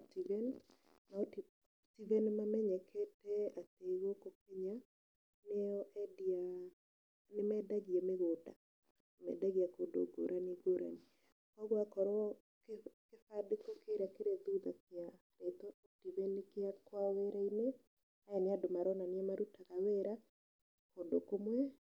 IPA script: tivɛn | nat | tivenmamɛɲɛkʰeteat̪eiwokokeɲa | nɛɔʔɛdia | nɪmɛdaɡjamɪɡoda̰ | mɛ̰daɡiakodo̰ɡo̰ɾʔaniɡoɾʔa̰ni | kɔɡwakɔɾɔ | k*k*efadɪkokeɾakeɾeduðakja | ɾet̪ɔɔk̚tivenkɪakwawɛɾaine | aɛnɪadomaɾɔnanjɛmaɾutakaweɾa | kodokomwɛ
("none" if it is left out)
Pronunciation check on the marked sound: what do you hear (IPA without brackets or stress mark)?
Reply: k